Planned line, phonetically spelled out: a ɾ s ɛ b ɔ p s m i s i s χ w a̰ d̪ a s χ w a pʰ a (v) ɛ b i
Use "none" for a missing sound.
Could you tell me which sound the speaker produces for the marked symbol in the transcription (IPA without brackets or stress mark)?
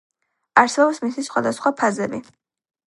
z